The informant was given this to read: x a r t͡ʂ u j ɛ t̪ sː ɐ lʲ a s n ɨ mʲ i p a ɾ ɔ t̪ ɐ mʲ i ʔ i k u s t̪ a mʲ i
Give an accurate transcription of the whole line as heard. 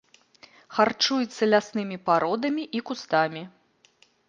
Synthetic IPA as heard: x a r t͡ʂ u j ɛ t̪ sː ɐ lʲ a s n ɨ mʲ i p a ɾ ɔ d̪ ɐ mʲ i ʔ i k u s t̪ a mʲ i

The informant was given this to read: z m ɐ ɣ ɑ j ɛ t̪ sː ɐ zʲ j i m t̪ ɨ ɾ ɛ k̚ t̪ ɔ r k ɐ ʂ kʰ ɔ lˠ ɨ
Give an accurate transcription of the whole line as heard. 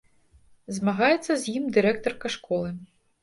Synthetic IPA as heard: z m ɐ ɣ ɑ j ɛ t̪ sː ɐ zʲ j i m d̪ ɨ ɾ ɛ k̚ t̪ ɔ r k ɐ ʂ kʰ ɔ lˠ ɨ

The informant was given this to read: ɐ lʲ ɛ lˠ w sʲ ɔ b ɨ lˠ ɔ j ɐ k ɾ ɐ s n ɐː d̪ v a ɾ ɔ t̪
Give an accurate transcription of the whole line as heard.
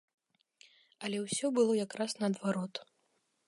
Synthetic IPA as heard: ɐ lʲ ɛ w sʲ ɔ b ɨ lˠ ɔ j a k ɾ a s n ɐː d̪ v a ɾ ɔ t̪

